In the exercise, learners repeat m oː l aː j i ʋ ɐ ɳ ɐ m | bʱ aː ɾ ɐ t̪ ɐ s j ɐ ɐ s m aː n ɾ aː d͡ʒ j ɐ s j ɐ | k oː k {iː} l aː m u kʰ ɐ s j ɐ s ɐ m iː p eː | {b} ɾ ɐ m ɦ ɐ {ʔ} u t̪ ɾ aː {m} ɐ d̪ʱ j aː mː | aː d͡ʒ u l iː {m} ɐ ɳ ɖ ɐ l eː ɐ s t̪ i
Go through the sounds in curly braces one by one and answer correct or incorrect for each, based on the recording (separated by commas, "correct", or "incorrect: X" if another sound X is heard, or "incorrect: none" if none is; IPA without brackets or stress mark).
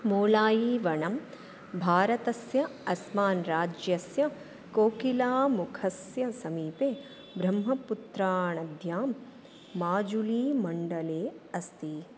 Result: incorrect: i, correct, incorrect: p, incorrect: ɳ, correct